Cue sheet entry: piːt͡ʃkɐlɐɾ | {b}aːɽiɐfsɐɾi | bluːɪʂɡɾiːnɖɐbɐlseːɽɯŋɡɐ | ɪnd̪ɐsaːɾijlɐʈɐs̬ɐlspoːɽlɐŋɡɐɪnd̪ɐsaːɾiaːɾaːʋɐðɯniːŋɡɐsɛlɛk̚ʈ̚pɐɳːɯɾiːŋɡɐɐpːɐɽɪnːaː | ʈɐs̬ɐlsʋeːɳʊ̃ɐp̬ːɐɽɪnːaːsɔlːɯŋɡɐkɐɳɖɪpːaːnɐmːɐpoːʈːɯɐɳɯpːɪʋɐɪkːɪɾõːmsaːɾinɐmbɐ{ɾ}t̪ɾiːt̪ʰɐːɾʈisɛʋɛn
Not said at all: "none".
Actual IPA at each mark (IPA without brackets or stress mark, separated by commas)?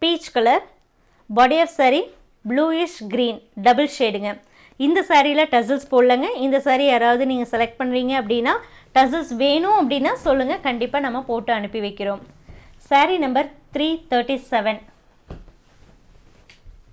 b, ɾ